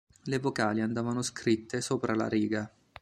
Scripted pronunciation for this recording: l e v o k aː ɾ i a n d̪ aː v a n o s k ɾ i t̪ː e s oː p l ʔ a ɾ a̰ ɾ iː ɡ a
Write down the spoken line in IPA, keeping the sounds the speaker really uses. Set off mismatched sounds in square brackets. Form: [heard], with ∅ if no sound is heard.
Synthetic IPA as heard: l e v o k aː [l] i a n d̪ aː v a n o s k ɾ i t̪ː e s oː p [ɾ] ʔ a [l] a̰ ɾ iː ɡ a

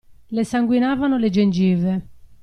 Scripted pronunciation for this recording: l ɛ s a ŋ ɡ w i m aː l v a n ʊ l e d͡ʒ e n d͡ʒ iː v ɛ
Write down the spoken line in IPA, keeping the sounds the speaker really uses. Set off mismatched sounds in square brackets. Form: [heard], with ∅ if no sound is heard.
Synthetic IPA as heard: l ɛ s a ŋ ɡ w i [n] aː [∅] v a n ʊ l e d͡ʒ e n d͡ʒ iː v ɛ

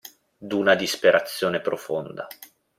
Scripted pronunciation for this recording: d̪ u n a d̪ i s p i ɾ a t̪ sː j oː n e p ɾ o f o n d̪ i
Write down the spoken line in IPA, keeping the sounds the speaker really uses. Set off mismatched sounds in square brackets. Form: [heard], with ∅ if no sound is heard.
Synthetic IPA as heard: d̪ u n a d̪ i s p [e] ɾ a t̪ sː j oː n e p ɾ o f o n d̪ [a]

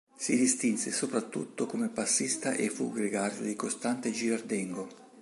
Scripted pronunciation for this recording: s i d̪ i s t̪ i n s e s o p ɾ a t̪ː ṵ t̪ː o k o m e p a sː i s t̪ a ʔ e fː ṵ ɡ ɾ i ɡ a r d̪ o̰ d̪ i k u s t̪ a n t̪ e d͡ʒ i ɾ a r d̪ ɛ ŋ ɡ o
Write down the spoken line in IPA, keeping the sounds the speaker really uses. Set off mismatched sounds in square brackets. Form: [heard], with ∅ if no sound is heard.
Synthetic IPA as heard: s i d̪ i s t̪ i n s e s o p ɾ a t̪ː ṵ t̪ː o k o m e p a sː i s t̪ a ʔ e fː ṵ ɡ ɾ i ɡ a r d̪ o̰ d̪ i k [o] s t̪ a n t̪ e d͡ʒ i ɾ a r d̪ ɛ ŋ ɡ o

